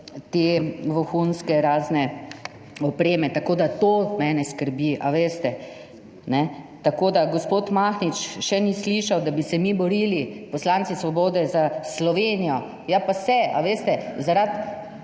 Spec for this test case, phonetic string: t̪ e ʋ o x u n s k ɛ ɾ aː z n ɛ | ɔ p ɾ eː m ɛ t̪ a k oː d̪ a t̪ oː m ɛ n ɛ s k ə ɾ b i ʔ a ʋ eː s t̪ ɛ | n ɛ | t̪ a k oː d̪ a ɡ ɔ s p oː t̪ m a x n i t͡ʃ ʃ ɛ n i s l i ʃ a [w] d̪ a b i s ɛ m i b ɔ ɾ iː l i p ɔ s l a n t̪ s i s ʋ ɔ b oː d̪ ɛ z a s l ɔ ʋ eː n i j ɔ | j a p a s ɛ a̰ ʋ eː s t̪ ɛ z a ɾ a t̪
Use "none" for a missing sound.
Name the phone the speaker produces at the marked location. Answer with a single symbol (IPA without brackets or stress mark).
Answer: w